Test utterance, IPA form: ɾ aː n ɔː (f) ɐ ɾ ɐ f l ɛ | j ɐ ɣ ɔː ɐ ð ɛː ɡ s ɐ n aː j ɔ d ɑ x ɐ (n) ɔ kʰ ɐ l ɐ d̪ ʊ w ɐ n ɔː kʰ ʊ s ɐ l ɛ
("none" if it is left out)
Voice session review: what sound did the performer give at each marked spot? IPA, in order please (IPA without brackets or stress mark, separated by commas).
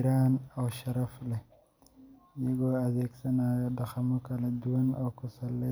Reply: ʃ, m